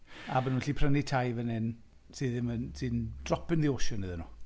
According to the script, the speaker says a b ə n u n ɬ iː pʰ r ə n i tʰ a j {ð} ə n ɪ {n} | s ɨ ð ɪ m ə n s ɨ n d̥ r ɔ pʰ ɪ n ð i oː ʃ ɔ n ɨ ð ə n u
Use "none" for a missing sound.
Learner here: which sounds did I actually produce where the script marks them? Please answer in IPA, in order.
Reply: v, n

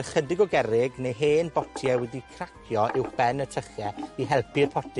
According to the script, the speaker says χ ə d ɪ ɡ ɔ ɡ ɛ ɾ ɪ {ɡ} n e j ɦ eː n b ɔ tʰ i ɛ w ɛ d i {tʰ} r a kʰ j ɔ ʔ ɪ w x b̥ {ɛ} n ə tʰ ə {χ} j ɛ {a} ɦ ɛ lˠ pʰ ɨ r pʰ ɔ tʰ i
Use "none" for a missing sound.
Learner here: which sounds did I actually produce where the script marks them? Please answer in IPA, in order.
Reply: ɡ, kʰ, ɛ, χ, i

